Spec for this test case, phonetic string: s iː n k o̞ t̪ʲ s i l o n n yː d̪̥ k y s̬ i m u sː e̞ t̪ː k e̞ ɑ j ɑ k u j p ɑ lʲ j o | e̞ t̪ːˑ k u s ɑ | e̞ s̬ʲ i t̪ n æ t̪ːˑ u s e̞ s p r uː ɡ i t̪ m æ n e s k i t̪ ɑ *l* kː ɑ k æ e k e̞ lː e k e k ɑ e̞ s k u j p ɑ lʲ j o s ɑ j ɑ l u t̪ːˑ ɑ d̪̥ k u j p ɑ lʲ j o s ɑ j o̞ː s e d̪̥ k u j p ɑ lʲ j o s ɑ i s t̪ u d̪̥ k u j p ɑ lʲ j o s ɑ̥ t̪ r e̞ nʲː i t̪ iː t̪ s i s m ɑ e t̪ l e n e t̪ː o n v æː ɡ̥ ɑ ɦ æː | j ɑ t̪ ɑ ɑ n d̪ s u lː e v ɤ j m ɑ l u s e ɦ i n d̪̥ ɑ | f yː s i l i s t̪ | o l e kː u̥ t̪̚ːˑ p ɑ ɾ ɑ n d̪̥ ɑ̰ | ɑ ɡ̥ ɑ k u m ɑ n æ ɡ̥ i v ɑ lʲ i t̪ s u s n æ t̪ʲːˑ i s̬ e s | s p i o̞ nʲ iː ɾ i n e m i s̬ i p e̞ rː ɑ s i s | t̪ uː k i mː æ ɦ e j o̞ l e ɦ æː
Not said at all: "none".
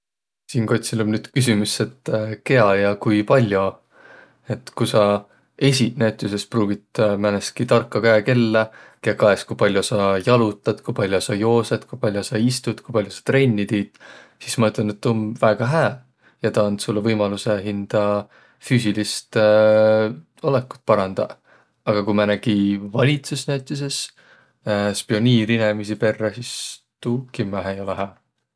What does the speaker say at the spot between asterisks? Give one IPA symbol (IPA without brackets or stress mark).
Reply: r